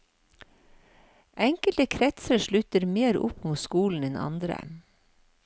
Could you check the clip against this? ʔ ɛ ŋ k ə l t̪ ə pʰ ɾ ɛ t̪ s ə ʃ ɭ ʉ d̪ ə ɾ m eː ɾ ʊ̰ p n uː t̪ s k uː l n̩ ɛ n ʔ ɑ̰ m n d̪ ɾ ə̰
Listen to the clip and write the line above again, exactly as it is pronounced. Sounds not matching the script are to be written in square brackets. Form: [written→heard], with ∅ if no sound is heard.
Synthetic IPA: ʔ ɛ ŋ k ə l t̪ ə [pʰ→kʰ] ɾ ɛ t̪ s ə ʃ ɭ ʉ [d̪→t̪] ə ɾ m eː ɾ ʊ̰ p [n→m] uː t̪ s k uː l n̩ ɛ n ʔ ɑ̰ [m→∅] n d̪ ɾ ə̰

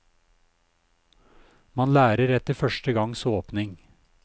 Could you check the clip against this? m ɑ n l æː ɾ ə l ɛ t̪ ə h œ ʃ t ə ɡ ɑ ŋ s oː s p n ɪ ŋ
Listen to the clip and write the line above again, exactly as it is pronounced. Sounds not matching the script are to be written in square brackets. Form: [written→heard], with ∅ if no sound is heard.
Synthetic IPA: m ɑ n l æː ɾ ə [l→ɾ] ɛ t̪ ə [h→f] œ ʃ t ə ɡ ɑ ŋ s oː [s→∅] p n ɪ ŋ

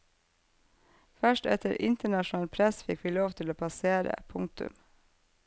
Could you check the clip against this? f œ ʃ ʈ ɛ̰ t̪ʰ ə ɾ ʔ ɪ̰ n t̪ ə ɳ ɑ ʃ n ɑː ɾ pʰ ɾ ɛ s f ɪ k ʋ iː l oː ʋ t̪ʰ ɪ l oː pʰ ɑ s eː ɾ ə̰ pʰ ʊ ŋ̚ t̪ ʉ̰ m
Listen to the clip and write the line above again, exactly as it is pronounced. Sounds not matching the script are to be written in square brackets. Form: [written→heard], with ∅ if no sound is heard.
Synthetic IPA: f œ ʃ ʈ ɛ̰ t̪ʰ ə ɾ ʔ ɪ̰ n t̪ ə ɳ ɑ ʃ n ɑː [ɾ→l] pʰ ɾ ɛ s f ɪ k ʋ iː l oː ʋ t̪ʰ ɪ l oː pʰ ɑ s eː ɾ ə̰ pʰ ʊ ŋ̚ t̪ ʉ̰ m

